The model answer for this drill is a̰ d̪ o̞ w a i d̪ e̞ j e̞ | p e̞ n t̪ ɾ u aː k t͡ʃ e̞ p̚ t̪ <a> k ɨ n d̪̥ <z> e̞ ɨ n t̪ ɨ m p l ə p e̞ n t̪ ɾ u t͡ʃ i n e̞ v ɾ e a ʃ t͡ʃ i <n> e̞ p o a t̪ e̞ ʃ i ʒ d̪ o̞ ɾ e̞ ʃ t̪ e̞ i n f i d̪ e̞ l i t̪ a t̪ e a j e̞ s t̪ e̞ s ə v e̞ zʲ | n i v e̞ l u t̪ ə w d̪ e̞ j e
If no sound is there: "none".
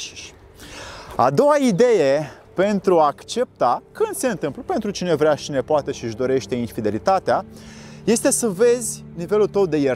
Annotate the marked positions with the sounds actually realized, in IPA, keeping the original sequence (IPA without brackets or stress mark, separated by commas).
a, s, n